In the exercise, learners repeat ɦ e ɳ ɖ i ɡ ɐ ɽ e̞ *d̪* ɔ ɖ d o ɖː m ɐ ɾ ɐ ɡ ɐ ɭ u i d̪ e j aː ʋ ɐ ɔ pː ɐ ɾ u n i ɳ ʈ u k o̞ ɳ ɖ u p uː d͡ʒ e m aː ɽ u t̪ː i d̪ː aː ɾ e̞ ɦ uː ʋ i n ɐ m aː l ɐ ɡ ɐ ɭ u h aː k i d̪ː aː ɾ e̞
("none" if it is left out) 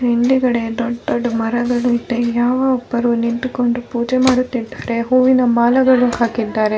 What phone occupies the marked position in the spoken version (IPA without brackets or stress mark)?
d̪